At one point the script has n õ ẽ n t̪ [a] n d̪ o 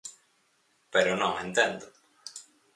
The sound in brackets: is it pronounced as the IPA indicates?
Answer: no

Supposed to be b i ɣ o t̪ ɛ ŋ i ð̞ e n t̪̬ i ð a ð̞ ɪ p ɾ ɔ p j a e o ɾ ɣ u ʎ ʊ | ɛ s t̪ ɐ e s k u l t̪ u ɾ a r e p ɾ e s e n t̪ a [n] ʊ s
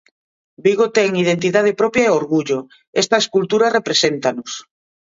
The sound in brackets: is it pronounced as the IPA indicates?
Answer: yes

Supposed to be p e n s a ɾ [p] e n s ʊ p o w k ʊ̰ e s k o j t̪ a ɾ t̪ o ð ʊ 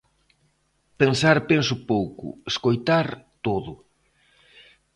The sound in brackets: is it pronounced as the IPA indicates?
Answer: yes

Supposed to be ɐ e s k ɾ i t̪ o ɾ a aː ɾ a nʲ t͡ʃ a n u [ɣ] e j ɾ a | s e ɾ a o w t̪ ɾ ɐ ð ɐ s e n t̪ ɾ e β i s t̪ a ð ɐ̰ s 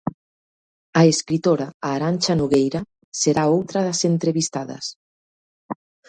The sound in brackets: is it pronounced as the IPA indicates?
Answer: yes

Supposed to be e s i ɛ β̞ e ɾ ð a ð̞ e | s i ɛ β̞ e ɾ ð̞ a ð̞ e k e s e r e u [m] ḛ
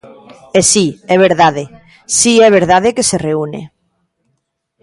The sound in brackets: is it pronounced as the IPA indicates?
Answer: no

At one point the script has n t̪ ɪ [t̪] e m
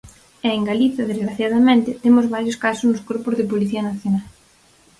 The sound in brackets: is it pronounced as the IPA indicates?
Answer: yes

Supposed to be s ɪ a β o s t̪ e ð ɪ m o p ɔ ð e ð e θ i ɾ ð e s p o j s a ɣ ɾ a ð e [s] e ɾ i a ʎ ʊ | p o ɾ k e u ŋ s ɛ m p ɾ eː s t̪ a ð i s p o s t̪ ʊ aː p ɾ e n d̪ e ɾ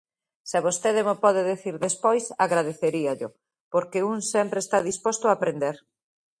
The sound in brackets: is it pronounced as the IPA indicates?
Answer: no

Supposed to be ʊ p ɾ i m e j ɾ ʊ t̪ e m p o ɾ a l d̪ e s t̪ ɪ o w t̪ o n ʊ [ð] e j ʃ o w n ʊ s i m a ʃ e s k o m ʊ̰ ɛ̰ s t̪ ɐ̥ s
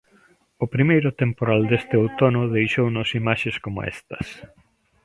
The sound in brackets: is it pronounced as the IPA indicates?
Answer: yes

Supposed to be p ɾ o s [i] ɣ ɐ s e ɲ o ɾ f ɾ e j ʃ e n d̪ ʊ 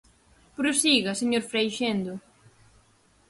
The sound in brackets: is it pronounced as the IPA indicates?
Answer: yes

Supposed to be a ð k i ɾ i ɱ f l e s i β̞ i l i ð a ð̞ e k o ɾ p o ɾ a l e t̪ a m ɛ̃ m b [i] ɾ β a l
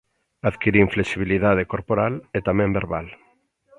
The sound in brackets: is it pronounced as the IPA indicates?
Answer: no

